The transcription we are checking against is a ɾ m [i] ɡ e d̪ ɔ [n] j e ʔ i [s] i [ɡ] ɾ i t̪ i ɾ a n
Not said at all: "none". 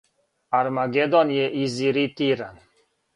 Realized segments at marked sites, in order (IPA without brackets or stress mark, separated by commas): a, n, z, none